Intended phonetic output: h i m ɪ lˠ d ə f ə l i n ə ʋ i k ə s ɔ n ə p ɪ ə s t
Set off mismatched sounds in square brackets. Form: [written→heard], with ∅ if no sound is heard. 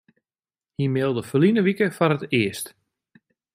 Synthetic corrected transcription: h i m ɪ lˠ d ə f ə l i n ə ʋ i k ə [s→f] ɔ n ə [p→t] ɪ ə s t